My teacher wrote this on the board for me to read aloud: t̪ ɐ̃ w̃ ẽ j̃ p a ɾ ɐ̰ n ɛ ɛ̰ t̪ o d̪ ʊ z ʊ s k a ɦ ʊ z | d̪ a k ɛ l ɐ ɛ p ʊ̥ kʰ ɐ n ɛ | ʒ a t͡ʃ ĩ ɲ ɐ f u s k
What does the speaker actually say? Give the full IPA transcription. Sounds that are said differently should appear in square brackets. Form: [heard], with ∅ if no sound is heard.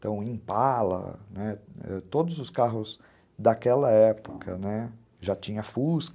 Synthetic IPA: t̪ ɐ̃ w̃ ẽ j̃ p a [l] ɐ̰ n ɛ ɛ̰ t̪ o d̪ ʊ z ʊ s k a ɦ ʊ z | d̪ a k ɛ l ɐ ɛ p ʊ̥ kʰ ɐ n ɛ | ʒ a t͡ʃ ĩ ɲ ɐ f u s k